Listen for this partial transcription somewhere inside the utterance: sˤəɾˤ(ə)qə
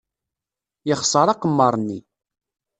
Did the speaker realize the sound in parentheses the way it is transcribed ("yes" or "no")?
no